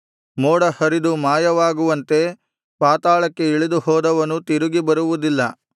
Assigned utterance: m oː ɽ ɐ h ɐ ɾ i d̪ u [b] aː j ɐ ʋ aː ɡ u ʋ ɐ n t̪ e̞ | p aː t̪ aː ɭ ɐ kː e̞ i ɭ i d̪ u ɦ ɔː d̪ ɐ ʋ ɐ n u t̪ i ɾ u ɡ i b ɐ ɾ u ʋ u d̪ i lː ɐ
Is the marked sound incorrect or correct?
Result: incorrect